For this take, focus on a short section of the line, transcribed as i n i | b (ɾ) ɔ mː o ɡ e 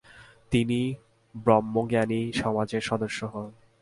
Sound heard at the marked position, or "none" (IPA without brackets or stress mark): ɾ